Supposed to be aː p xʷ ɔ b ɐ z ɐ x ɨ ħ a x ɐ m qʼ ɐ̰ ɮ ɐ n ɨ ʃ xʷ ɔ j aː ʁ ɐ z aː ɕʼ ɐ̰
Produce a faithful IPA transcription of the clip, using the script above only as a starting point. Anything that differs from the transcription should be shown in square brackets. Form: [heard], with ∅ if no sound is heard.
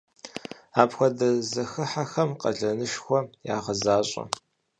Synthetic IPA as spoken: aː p xʷ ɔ [d] ɐ z ɐ x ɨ ħ a x ɐ m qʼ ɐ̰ ɮ ɐ n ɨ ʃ xʷ ɔ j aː ʁ ɐ z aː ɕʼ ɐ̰